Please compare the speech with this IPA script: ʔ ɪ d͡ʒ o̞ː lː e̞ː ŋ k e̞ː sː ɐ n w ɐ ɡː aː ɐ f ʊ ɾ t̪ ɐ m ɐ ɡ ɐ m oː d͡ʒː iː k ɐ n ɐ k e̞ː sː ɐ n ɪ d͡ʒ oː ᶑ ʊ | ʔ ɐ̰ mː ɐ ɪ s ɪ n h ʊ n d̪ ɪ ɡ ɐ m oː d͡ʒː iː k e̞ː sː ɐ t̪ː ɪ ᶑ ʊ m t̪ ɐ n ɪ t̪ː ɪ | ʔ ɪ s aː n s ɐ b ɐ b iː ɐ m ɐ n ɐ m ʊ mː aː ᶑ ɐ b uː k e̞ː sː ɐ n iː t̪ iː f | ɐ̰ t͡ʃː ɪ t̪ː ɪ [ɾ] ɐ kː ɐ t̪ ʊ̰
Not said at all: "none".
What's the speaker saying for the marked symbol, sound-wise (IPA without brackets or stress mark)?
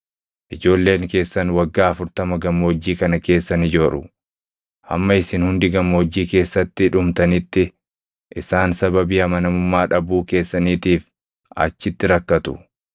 ɾ